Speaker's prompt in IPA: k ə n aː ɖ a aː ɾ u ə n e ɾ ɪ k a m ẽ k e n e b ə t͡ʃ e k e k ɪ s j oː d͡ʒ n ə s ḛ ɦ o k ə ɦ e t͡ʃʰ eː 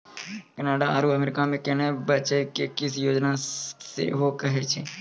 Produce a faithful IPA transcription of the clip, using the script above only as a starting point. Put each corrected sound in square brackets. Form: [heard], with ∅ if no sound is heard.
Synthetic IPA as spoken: k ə n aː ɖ a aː ɾ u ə [m] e ɾ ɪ k a m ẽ k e n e b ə t͡ʃ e k e k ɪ s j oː d͡ʒ n [a] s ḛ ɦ o k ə ɦ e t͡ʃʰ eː